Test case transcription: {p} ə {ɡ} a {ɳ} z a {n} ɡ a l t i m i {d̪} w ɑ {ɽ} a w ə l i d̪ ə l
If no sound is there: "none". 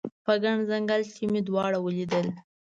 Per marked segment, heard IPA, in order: p, ɡ, ɳ, ŋ, d̪, ɽ

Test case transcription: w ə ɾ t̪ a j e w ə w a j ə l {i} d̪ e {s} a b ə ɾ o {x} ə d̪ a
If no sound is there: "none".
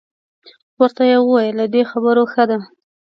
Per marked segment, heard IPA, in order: a, x, x

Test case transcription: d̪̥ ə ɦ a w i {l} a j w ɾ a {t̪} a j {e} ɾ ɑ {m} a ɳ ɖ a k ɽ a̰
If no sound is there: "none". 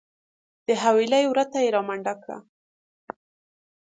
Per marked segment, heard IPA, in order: l, t̪, e, m

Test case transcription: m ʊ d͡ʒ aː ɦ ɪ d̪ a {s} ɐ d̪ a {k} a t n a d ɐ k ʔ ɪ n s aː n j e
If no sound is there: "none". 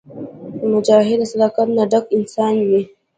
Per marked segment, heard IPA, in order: s, k

